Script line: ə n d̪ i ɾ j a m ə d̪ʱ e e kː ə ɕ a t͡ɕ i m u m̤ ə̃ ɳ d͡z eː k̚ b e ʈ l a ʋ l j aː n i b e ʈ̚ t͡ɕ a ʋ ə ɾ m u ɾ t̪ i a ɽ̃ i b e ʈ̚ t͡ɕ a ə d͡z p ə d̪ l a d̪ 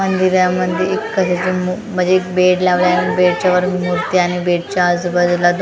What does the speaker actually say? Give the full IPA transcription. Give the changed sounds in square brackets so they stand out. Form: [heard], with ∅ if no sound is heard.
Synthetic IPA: ə n d̪ i ɾ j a m ə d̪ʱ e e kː ə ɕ a t͡ɕ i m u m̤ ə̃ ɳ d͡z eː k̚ b e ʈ l a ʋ l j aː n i b e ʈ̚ t͡ɕ a ʋ ə ɾ m u ɾ t̪ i a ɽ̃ i b e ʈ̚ t͡ɕ a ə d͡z [b] ə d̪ l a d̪

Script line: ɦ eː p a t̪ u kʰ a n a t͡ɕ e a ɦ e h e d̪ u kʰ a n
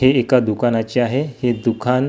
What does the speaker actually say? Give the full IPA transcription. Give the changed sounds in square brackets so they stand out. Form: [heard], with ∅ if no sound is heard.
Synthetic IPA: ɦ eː [k] a [d̪] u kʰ a n a t͡ɕ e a ɦ e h e d̪ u kʰ a n

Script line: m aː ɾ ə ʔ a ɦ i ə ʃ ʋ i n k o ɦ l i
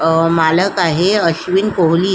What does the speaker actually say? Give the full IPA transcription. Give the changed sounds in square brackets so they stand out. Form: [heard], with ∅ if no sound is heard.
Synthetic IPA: m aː [l] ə [k] a ɦ [e] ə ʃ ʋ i n k o ɦ l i

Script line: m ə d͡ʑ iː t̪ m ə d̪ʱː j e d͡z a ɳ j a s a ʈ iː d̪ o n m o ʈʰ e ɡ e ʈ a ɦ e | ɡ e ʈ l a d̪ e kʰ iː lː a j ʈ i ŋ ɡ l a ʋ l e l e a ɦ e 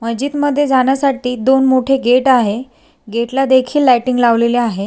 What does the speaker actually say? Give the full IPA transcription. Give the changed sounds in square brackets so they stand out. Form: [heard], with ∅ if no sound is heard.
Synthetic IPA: m ə d͡ʑ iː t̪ m ə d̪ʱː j e d͡z a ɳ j a s a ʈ iː d̪ o n m o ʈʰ e ɡ e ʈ a ɦ e | ɡ e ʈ l a d̪ e kʰ iː lː a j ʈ i ŋ ɡ l a ʋ l e l e a ɦ e

